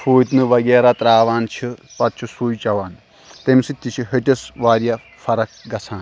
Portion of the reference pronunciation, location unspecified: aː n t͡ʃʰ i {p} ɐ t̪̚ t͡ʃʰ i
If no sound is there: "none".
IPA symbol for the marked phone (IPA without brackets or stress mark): p